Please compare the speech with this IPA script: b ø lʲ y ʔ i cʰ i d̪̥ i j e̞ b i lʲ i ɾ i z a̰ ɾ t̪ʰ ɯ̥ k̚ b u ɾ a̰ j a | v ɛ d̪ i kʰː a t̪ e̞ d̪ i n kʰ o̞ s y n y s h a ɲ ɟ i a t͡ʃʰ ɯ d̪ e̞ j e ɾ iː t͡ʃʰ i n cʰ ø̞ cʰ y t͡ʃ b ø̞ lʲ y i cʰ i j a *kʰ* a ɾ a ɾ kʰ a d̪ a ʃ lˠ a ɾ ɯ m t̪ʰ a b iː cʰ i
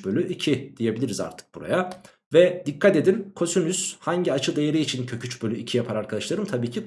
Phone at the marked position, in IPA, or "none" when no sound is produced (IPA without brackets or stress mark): pʰ